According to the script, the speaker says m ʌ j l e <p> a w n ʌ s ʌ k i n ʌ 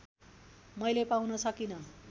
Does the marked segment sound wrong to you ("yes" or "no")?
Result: no